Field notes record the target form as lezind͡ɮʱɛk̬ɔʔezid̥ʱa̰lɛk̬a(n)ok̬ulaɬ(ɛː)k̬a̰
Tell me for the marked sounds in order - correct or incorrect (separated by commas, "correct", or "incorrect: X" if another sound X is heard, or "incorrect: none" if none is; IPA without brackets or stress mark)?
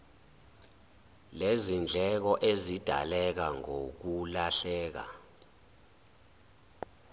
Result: incorrect: ŋ, correct